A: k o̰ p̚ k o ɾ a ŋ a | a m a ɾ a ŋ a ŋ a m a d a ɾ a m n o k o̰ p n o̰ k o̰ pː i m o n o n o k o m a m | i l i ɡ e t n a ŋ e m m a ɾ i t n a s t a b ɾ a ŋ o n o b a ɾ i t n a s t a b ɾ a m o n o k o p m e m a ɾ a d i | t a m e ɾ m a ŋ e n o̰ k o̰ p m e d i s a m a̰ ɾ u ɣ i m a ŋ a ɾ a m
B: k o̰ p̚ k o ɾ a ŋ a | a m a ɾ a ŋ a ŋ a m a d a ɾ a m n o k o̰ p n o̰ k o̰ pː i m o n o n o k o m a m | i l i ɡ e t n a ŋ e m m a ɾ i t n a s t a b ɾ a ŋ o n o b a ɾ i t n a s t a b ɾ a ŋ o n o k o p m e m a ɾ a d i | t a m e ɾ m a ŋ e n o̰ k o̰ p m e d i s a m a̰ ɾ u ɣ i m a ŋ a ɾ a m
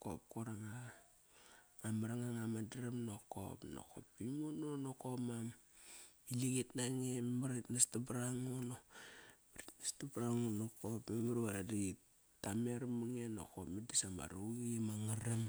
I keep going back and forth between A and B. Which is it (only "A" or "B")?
B